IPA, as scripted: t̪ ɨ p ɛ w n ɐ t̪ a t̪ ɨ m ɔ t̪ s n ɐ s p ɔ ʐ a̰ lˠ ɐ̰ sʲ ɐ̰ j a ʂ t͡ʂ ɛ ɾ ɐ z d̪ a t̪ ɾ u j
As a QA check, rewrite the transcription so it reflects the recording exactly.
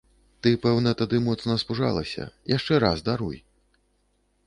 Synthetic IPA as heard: t̪ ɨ p ɛ w n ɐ t̪ a d̪ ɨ m ɔ t̪ s n ɐ s p u ʐ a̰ lˠ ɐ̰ sʲ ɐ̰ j a ʂ t͡ʂ ɛ ɾ a z d̪ a ɾ u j